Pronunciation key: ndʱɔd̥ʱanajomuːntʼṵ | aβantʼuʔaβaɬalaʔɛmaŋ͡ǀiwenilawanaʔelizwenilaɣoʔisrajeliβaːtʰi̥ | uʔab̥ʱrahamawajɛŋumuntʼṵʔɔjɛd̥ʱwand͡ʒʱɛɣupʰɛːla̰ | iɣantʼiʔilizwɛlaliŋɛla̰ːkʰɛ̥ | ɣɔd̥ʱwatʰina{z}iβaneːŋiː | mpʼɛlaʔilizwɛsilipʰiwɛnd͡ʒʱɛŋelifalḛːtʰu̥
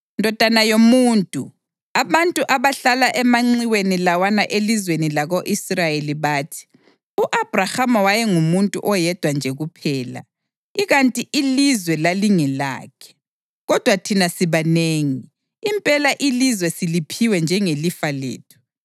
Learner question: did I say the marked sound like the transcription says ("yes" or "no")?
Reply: no